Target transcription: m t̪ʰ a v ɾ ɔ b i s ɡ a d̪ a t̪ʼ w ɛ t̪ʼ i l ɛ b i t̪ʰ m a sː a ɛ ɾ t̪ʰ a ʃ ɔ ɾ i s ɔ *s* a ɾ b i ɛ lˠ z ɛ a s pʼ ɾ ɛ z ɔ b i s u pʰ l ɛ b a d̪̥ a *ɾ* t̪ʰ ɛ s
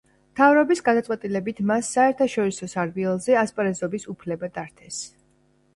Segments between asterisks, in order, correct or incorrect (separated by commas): correct, correct